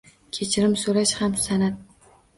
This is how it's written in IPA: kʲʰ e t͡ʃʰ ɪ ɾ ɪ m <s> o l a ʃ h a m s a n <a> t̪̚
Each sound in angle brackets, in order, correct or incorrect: correct, correct

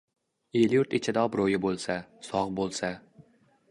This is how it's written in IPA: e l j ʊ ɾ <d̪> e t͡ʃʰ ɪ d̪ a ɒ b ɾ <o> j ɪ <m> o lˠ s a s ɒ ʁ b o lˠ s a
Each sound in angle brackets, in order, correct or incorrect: incorrect: t̪, correct, incorrect: b

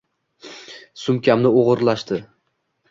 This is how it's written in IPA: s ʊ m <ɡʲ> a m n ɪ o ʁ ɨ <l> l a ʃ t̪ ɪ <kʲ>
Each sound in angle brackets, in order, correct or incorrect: incorrect: kʲ, incorrect: ɾ, incorrect: none

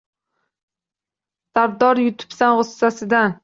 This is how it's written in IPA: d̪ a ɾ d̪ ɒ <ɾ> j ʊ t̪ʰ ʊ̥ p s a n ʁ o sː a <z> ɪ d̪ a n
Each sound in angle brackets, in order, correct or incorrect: correct, incorrect: s

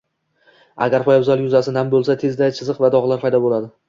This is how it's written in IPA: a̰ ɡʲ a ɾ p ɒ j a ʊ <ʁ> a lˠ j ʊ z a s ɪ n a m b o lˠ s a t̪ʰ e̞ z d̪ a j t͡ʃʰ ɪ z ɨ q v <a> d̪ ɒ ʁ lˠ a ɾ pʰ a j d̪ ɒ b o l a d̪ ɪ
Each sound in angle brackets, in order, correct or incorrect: incorrect: z, correct

